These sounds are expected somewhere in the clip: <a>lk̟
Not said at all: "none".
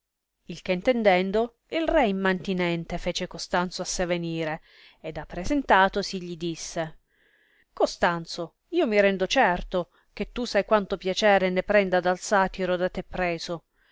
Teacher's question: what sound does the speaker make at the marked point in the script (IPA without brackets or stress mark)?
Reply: i